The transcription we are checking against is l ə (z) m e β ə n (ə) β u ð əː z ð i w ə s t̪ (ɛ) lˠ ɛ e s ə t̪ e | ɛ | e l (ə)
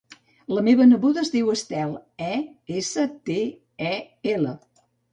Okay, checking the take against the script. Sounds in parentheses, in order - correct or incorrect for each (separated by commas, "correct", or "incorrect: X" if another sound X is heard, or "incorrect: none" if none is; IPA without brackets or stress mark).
incorrect: none, correct, correct, correct